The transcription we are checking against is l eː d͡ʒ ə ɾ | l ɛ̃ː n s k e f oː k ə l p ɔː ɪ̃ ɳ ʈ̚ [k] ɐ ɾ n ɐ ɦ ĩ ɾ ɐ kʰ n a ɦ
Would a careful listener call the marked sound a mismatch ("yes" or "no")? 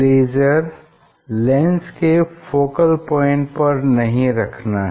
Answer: yes